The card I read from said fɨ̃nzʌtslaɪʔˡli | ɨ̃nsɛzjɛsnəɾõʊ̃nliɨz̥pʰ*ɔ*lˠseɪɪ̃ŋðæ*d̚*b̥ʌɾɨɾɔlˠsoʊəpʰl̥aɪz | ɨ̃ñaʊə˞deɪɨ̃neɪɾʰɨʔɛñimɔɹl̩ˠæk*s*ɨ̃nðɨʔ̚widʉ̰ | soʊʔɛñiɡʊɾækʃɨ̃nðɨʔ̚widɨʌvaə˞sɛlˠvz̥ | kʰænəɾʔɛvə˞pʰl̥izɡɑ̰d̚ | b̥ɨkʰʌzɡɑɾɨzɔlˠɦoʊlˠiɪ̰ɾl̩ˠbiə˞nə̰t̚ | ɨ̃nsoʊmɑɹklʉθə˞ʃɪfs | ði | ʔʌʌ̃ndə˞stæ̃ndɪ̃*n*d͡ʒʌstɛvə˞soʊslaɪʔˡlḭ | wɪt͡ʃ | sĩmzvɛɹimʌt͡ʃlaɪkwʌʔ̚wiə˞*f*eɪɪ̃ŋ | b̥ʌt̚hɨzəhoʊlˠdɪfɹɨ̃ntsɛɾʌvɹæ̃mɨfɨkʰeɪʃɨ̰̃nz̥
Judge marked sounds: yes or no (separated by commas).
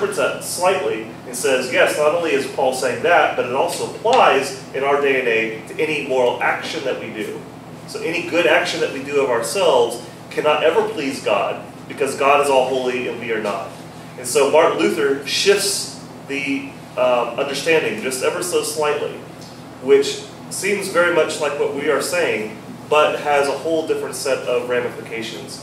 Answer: yes, no, no, no, no